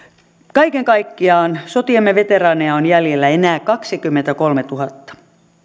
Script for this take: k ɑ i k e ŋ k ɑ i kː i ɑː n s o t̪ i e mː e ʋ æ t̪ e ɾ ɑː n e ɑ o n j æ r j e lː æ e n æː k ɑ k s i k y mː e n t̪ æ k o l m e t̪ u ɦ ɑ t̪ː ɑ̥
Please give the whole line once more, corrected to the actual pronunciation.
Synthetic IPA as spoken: k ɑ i k e ŋ k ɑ i kː i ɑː n s o t̪ i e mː e ʋ e t̪ e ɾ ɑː n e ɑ o n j æ l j e lː æ e n æː k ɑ k s i k y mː e n t̪ æ k o l m e t̪ u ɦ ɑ t̪ː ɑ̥